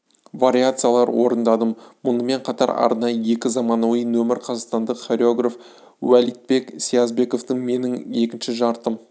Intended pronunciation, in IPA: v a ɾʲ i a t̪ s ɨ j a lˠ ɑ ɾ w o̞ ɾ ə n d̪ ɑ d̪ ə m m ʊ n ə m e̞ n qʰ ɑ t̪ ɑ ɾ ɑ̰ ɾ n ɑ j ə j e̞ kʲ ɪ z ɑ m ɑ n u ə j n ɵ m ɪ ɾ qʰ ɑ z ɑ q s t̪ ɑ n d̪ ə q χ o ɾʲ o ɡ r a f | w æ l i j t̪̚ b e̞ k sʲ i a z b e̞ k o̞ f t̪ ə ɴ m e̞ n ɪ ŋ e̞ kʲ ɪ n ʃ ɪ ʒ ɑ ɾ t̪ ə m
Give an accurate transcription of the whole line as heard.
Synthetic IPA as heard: v a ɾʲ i a t̪ s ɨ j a lˠ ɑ ɾ w o̞ ɾ ə n d̪ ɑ d̪ ə m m ʊ n ə m e̞ ɴ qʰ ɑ t̪ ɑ ɾ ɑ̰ ɾ n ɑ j ə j e̞ kʲ ɪ z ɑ m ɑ n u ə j n ɵ m ɪ ɾ qʰ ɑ z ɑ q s t̪ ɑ n d̪ ə q χ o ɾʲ o ɡ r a f | w æ l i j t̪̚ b e̞ k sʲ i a z b e̞ k o̞ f t̪ ə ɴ m e̞ n ɪ ŋ e̞ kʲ ɪ n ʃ ɪ ʒ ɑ ɾ t̪ ə m